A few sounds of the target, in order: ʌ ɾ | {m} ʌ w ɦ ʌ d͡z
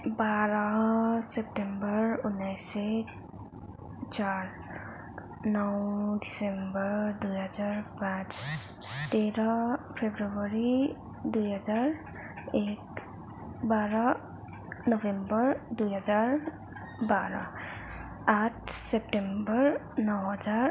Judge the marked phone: incorrect: n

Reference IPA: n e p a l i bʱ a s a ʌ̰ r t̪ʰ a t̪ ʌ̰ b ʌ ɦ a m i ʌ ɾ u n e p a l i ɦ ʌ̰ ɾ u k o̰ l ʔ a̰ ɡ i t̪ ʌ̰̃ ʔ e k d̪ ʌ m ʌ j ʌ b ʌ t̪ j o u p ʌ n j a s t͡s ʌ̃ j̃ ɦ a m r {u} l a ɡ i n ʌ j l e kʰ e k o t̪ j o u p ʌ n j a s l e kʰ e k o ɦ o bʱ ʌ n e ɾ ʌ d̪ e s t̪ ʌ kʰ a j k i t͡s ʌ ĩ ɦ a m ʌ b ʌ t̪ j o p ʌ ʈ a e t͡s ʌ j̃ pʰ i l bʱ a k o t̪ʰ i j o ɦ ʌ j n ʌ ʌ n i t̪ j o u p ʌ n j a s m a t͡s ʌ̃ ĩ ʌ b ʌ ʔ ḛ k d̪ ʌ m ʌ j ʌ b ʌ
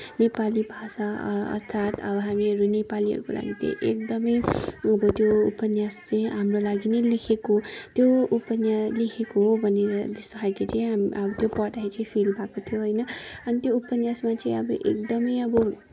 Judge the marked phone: incorrect: o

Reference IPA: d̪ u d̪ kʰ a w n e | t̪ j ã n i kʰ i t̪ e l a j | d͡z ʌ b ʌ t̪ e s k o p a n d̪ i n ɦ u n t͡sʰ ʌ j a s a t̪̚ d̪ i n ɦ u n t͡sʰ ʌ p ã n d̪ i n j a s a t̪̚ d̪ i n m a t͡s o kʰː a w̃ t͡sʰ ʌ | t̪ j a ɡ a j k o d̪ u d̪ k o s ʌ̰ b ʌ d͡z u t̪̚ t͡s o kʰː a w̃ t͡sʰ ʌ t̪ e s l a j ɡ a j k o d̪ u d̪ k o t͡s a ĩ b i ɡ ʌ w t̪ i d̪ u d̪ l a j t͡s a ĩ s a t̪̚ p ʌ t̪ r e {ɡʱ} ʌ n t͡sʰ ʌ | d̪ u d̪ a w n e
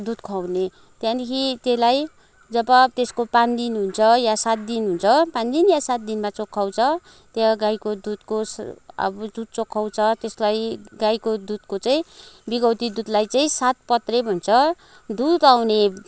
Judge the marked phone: incorrect: bʱ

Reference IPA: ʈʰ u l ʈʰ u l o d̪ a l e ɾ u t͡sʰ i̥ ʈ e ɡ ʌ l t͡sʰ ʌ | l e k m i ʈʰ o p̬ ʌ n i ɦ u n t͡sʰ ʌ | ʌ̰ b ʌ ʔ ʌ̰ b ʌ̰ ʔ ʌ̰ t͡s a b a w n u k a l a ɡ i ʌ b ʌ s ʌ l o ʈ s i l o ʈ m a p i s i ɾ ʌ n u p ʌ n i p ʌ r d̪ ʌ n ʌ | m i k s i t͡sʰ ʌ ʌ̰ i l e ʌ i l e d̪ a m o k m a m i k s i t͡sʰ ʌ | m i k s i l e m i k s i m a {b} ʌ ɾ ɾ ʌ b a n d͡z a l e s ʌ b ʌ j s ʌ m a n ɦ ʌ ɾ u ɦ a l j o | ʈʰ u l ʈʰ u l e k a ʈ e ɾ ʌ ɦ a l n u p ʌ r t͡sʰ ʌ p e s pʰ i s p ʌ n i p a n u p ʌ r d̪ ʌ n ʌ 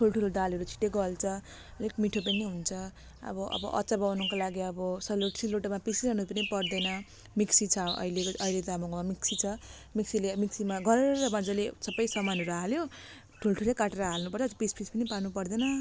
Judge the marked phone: incorrect: ɡ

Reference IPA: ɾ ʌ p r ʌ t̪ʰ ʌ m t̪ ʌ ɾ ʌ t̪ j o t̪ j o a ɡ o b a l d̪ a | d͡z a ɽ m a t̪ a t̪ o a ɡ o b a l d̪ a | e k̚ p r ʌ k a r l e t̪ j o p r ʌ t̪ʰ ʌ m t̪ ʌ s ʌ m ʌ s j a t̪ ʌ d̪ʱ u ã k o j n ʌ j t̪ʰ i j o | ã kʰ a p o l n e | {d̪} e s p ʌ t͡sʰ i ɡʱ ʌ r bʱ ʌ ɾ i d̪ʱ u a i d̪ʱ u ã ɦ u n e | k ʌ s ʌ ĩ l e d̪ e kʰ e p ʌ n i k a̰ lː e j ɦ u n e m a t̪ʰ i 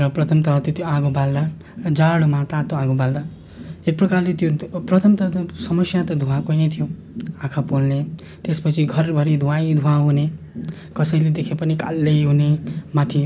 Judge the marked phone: incorrect: t̪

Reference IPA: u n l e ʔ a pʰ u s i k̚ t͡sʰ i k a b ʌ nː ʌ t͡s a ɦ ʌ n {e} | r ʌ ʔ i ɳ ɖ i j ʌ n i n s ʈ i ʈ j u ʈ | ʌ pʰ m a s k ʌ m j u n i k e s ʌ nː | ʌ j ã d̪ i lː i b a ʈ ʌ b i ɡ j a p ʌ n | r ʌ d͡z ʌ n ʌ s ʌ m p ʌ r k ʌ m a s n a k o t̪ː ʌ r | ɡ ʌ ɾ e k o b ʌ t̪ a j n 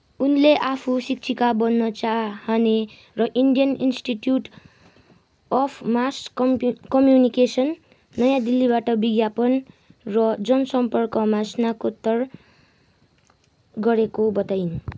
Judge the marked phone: correct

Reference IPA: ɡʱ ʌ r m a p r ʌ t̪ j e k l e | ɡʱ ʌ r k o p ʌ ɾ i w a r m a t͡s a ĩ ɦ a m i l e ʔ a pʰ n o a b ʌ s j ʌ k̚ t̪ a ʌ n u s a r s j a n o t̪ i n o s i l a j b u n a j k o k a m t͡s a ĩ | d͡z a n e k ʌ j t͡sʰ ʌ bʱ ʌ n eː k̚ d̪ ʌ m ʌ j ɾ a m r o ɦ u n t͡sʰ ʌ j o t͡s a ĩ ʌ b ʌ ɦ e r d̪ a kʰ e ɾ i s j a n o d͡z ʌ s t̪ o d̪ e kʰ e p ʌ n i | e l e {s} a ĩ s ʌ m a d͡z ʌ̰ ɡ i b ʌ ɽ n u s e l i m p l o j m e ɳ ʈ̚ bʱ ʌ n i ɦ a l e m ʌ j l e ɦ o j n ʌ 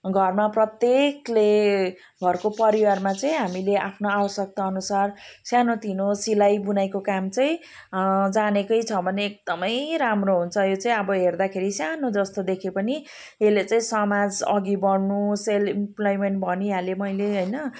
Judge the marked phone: incorrect: t͡s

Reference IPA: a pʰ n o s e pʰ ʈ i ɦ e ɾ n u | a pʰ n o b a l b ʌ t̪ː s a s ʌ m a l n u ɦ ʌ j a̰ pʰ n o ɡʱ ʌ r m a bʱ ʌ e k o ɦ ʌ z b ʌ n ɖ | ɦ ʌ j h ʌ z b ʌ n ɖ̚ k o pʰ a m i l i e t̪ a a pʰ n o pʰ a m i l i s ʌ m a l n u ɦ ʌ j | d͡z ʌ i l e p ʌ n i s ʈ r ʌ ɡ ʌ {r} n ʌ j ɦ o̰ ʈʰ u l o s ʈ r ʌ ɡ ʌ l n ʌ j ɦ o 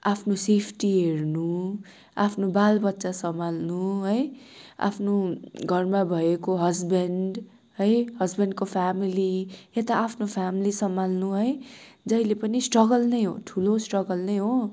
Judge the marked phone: incorrect: l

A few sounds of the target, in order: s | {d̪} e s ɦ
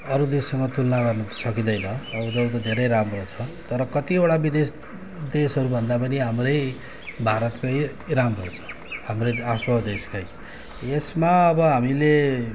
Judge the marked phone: correct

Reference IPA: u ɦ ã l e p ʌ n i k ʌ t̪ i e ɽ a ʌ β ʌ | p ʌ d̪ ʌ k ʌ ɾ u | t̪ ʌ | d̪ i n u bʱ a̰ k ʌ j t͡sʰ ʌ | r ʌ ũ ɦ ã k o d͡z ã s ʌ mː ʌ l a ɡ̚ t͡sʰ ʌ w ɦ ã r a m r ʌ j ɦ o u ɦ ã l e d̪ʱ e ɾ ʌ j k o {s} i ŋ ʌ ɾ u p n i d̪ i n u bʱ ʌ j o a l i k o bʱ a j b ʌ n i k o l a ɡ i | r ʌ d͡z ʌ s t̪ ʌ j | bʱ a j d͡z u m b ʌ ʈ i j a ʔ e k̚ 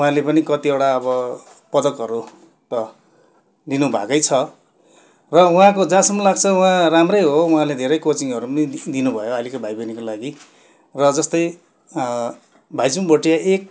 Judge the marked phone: incorrect: t͡s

